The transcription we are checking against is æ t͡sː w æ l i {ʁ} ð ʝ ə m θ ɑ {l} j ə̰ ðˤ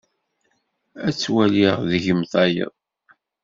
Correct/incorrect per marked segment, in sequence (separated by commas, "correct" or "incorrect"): correct, incorrect